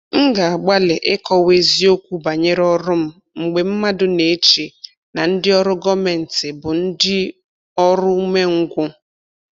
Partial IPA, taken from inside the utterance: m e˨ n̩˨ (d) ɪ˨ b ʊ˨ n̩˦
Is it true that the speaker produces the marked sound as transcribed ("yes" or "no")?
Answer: no